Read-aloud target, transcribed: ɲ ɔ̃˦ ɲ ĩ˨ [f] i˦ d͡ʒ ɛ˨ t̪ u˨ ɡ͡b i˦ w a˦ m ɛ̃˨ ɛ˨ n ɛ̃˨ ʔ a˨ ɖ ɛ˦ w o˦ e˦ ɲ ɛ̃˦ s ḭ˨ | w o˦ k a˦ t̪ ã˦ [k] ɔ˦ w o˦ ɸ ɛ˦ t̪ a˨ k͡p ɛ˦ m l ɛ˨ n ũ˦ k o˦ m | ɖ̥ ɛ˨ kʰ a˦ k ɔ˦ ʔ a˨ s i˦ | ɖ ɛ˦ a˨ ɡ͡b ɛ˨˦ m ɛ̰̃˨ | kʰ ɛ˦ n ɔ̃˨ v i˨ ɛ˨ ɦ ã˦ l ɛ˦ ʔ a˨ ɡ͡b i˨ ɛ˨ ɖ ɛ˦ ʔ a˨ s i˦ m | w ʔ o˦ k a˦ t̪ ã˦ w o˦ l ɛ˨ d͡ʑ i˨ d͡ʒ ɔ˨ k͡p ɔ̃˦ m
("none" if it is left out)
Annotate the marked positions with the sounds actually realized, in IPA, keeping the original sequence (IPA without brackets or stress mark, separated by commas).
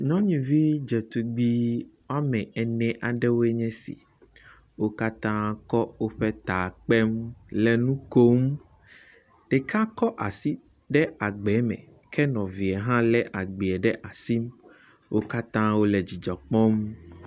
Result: v, k